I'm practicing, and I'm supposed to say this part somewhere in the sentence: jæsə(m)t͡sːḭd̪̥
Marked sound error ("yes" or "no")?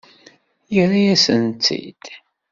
yes